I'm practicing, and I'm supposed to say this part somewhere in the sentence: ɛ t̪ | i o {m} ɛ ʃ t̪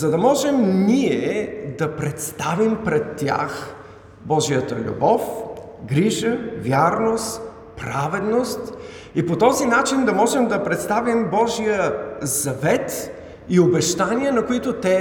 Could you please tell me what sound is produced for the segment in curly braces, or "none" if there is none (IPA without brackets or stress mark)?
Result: b